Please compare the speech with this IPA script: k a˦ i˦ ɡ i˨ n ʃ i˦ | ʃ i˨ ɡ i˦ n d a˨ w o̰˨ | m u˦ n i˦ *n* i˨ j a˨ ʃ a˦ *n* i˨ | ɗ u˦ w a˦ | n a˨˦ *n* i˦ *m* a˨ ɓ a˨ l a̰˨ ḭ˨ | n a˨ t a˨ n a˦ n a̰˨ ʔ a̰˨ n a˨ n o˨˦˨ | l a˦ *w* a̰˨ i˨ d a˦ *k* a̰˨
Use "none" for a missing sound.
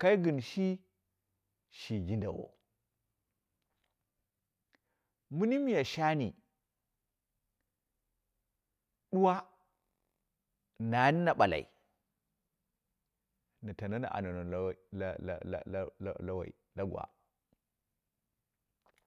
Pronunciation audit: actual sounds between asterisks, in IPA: m, n, n, n, w, ɡ

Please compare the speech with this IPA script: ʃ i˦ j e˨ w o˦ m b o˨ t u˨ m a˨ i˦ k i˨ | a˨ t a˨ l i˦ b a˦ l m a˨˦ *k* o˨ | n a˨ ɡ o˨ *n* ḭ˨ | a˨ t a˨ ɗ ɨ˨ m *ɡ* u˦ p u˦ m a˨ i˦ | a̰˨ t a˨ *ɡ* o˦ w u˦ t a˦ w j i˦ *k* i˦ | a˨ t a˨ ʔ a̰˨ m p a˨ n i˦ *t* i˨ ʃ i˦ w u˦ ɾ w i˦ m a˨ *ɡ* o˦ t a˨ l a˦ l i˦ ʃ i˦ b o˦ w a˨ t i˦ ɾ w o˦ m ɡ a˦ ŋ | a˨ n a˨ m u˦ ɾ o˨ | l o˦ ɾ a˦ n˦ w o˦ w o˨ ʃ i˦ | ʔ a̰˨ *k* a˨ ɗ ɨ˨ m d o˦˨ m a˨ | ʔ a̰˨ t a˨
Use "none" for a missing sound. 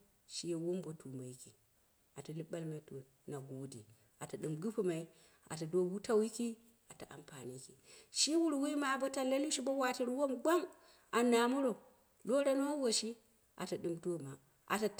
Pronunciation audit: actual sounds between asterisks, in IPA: t, d, ɡ, d, k, k, b, t

